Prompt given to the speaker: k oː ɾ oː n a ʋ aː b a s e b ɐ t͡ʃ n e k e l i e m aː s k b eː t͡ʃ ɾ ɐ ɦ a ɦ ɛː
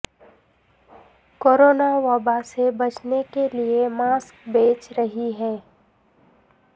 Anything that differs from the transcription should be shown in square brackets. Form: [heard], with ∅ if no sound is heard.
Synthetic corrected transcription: k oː ɾ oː n a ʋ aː b a s e b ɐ t͡ʃ n e k e l i e m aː s k b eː t͡ʃ ɾ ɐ ɦ [i] ɦ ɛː